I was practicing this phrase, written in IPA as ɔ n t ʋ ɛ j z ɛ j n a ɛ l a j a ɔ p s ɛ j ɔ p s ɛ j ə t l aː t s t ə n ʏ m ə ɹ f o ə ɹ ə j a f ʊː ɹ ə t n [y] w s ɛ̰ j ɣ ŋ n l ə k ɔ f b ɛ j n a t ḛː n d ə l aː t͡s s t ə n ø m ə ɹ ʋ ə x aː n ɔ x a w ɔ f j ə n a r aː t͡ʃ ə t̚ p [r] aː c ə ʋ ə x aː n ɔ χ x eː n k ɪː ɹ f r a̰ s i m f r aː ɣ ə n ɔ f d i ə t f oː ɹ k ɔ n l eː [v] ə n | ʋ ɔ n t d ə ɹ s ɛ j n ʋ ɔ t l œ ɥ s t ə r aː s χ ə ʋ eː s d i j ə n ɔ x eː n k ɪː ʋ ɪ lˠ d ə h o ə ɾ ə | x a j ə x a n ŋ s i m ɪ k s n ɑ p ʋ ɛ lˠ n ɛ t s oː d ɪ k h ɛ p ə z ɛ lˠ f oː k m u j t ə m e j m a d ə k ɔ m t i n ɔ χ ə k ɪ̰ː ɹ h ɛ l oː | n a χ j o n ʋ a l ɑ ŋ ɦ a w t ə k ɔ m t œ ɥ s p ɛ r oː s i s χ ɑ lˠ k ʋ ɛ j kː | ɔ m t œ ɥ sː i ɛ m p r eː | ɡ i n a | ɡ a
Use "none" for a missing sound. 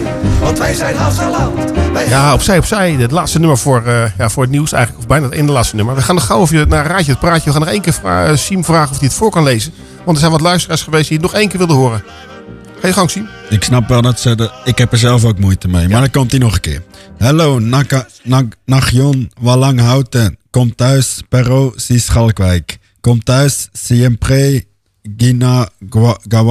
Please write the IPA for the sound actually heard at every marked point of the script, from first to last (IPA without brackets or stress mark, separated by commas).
i, r, z